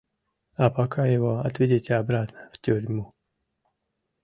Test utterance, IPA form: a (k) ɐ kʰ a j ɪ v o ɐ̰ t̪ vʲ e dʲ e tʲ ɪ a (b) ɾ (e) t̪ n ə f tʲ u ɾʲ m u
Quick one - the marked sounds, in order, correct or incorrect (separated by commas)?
incorrect, correct, incorrect